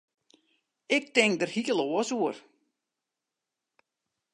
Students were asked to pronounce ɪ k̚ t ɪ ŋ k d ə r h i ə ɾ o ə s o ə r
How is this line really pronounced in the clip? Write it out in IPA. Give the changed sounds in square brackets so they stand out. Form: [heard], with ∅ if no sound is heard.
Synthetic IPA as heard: ɪ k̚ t ɪ ŋ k d ə r h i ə [l] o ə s [u] ə r